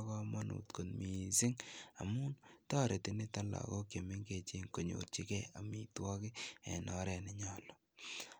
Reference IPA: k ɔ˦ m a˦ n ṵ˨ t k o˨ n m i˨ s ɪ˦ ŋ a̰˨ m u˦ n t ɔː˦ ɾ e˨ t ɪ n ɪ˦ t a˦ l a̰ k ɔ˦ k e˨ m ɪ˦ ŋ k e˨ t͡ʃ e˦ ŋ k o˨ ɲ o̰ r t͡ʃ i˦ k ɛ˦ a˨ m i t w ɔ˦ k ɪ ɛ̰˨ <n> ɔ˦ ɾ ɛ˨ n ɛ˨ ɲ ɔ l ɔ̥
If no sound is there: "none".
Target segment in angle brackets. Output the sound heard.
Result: n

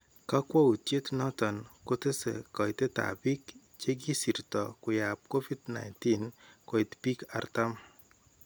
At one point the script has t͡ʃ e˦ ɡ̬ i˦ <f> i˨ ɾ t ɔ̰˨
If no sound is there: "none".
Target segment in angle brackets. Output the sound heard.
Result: s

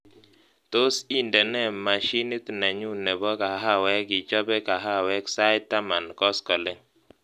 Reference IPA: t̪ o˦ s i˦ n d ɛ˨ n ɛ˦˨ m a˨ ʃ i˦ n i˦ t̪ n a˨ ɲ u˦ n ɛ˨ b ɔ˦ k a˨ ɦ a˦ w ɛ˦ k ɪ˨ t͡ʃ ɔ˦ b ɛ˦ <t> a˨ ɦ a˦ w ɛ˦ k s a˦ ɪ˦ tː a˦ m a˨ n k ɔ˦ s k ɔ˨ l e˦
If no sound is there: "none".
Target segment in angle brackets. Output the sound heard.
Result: k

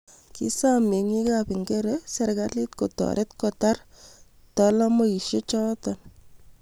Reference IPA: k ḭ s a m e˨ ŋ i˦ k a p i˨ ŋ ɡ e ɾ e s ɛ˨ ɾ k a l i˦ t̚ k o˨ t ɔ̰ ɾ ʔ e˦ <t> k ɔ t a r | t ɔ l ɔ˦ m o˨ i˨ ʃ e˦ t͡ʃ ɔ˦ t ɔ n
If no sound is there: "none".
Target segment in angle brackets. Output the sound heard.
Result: t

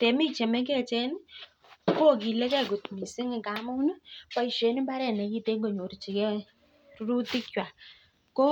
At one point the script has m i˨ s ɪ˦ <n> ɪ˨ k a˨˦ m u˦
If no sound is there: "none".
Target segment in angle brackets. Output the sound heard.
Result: ŋ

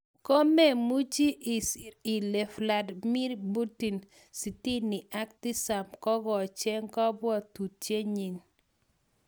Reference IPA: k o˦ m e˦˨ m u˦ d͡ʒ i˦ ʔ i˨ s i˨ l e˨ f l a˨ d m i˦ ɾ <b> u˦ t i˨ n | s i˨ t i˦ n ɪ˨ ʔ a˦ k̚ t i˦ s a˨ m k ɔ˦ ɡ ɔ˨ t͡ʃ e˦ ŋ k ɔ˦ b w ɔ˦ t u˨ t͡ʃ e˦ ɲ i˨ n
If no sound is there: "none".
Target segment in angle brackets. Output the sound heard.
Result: b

